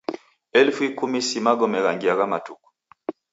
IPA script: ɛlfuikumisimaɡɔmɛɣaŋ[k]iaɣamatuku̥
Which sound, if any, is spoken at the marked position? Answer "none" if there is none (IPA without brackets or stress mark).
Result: ɡ